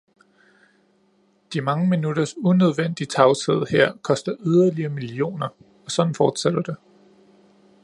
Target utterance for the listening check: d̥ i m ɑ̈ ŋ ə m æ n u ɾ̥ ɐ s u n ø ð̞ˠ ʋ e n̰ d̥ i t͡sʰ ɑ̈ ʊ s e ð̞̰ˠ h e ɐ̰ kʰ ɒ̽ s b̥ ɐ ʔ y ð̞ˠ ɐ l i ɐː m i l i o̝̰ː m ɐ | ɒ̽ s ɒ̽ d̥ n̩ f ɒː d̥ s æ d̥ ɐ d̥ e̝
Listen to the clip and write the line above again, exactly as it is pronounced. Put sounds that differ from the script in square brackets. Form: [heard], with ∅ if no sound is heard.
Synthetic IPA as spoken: d̥ i m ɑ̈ ŋ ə m [i] n u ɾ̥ ɐ s u n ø ð̞ˠ ʋ e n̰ d̥ i t͡sʰ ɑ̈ ʊ s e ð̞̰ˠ h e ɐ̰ kʰ ɒ̽ s [d̥] ɐ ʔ y ð̞ˠ ɐ l i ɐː m i l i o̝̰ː [n] ɐ | ɒ̽ s ɒ̽ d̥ n̩ f ɒː d̥ s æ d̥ ɐ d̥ e̝